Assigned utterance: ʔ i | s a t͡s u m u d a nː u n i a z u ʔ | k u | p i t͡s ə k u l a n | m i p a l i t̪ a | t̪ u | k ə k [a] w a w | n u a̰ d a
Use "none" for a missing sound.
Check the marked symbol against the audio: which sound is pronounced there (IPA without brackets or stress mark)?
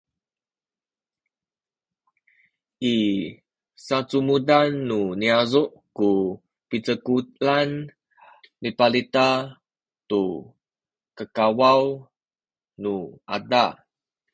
a